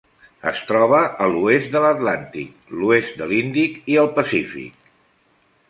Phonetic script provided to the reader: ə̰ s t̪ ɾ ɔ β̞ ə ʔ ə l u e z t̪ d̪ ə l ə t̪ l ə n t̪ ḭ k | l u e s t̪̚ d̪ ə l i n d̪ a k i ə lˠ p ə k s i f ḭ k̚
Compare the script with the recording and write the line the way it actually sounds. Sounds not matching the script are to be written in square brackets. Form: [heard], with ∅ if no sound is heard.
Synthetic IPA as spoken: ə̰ s t̪ ɾ ɔ β̞ ə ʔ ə l u e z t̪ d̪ ə l ə t̪ l [a] n t̪ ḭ k | l u e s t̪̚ d̪ ə l i n d̪ [i] k i ə lˠ p ə [∅] s i f ḭ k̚